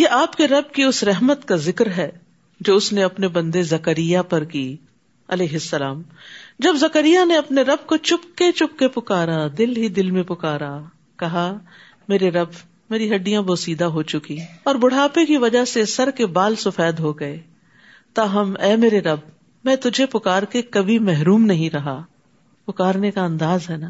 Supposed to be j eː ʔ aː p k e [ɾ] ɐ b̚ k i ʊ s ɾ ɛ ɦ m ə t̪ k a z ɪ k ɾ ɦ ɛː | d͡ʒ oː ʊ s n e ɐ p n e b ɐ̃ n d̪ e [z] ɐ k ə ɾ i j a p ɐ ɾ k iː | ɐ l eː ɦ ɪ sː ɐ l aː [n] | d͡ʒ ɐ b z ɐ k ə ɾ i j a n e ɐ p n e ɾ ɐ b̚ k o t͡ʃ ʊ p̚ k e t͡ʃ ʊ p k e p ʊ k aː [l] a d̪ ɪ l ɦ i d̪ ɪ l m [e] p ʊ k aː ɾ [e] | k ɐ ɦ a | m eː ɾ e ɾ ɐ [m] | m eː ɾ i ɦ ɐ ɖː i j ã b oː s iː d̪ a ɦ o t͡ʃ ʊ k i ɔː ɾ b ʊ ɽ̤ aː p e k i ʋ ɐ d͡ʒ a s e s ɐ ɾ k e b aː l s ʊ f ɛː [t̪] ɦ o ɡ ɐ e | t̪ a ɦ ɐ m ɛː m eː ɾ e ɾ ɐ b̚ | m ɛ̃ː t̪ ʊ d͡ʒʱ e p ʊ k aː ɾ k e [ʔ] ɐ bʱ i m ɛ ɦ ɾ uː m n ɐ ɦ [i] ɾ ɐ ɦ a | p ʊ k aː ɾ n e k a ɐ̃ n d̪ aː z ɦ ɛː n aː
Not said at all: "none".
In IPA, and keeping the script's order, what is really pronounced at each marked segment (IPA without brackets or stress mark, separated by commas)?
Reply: ɾ, z, m, ɾ, ẽ, a, b, d̪, k, ĩ